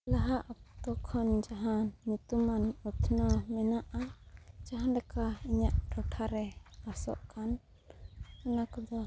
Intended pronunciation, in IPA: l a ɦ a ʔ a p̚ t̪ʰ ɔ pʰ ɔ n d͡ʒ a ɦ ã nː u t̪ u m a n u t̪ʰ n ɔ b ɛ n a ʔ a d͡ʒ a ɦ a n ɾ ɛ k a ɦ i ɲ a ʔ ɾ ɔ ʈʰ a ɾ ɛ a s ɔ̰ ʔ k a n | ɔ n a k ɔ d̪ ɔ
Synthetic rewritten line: l a ɦ a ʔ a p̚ t̪ ɔ kʰ ɔ n d͡ʒ a ɦ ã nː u t̪ u m a n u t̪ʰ n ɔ m ɛ n a ʔ a d͡ʒ a ɦ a n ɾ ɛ k a i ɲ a ʔ ɾ ɔ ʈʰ a ɾ ɛ a s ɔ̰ ʔ k a n | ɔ n a k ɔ d̪ ɔ